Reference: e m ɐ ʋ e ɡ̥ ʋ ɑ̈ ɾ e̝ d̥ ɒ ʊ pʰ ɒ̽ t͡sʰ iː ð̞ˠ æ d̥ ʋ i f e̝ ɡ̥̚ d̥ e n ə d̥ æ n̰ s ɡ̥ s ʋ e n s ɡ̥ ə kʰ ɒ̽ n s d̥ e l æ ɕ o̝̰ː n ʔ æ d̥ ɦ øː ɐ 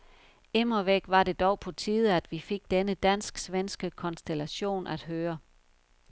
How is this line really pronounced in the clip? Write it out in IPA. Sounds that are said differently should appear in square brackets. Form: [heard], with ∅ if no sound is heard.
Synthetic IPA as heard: e m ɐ ʋ e ɡ̥ ʋ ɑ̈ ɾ e̝ d̥ ɒ ʊ pʰ ɒ̽ t͡sʰ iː ð̞ˠ æ d̥ ʋ i f e̝ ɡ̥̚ d̥ e n ə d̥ æ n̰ s ɡ̥ s ʋ e n s ɡ̥ ə kʰ ɒ̽ n s d̥ e l æ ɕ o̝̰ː n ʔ æ d̥ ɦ øː ɐ